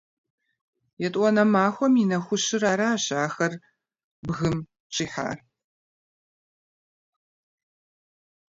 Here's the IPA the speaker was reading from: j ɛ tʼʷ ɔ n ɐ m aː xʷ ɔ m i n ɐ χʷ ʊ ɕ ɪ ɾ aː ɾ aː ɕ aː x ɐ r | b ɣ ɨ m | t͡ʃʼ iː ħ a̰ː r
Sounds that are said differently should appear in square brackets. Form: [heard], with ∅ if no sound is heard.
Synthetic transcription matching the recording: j ɛ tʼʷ ɔ n ɐ m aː xʷ ɔ m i n ɐ [xʷ] ʊ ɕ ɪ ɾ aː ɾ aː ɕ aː x ɐ r | b ɣ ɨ m | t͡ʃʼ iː ħ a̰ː r